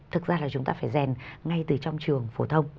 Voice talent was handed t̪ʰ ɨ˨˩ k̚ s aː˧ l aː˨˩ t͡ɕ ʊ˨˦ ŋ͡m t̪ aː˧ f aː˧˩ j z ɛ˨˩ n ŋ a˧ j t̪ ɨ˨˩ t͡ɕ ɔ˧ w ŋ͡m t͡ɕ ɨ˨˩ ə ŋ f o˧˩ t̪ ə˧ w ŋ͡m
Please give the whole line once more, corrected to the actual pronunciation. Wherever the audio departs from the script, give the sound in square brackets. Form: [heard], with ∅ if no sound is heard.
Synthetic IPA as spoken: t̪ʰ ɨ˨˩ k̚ [z] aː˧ l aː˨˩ t͡ɕ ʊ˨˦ ŋ͡m t̪ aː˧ f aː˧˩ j z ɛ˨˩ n ŋ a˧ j t̪ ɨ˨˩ t͡ɕ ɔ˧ w ŋ͡m t͡ɕ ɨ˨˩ ə ŋ f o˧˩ [t̪ʰ] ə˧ w ŋ͡m